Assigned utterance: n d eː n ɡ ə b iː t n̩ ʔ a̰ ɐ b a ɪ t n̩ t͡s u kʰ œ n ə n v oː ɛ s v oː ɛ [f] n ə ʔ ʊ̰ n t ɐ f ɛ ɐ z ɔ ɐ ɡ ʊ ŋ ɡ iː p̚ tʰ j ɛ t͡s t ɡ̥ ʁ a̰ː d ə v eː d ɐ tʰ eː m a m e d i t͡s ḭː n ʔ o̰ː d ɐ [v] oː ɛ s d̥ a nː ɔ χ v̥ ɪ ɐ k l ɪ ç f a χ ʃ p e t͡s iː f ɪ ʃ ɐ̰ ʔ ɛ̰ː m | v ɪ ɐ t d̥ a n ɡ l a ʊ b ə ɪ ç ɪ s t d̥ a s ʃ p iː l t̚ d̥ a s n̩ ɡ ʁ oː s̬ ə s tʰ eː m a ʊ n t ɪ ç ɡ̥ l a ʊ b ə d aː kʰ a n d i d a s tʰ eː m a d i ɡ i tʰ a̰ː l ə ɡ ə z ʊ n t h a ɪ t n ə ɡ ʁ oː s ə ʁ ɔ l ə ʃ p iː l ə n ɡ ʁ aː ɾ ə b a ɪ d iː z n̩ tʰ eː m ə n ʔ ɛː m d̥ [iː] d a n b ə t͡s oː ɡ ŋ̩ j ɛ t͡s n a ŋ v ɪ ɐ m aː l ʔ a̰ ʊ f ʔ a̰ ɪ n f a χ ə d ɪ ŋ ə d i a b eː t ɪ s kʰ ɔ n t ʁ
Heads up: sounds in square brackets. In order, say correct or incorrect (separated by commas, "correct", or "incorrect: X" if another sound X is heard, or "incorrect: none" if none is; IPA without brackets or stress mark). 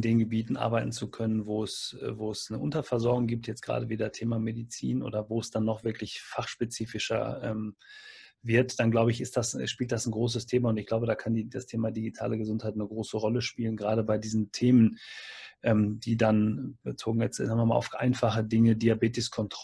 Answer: incorrect: s, correct, correct